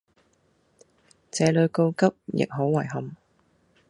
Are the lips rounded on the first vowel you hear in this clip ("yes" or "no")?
no